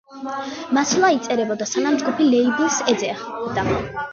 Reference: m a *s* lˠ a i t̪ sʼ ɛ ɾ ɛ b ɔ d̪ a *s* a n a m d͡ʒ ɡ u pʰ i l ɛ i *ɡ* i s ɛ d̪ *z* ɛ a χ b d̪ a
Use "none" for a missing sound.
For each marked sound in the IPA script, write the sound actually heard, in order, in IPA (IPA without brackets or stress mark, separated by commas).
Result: s, s, b, z